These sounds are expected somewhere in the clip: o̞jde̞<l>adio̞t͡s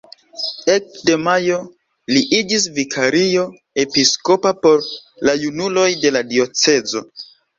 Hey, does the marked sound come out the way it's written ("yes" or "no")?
yes